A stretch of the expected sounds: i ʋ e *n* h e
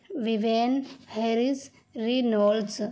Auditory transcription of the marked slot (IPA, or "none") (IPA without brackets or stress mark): n